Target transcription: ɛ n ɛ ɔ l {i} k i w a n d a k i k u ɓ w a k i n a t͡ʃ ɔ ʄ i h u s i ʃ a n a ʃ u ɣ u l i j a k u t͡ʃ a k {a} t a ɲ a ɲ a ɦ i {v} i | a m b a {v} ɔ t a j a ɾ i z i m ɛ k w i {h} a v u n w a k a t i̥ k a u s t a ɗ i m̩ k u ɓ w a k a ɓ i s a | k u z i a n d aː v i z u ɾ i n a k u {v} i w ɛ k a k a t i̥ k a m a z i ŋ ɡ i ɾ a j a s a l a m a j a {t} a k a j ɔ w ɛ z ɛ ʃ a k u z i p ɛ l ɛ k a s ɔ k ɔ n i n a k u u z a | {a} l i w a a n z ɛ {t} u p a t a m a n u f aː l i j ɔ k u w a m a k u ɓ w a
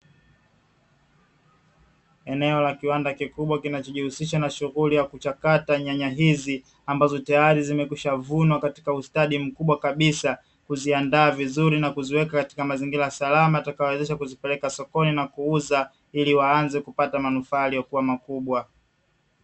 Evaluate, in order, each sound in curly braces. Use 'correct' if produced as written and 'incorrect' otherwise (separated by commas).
incorrect, correct, incorrect, incorrect, incorrect, incorrect, correct, incorrect, incorrect